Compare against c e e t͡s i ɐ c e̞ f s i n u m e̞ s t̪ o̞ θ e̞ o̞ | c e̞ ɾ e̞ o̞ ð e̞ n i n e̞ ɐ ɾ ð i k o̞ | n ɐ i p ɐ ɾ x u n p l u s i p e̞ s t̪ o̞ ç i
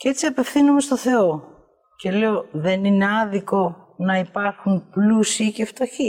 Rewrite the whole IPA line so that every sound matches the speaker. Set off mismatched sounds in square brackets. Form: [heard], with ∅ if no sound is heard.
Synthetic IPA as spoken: c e e t͡s i ɐ [p] e̞ f [θ] i n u m e̞ s t̪ o̞ θ e̞ o̞ | c e̞ [l] e̞ o̞ ð e̞ n i n e̞ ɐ [∅] ð i k o̞ | n ɐ i p ɐ ɾ x u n p l u s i [c] e̞ [f] t̪ o̞ ç i